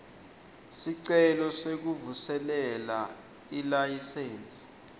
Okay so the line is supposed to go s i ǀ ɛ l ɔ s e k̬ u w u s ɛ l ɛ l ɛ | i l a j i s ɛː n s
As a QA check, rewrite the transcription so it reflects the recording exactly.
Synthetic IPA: s i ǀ ɛ l ɔ s e k̬ u v u s ɛ l ɛ l a | i l a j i s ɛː n s